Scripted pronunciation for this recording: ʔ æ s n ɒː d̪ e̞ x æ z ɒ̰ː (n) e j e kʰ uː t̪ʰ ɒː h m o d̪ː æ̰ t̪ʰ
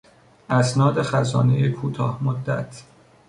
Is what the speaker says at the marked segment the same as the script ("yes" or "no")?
yes